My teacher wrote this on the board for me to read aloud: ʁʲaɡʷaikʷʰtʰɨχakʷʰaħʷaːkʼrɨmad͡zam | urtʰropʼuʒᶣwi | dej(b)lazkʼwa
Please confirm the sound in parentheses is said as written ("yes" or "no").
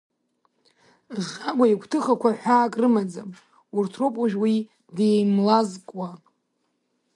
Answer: no